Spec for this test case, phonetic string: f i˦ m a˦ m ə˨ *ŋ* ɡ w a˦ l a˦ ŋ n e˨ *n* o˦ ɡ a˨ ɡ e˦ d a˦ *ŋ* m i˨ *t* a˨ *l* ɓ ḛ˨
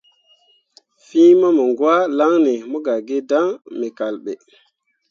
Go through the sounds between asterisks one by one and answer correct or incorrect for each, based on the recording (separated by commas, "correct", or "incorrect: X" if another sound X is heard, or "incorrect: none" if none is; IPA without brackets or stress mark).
correct, incorrect: m, correct, incorrect: k, correct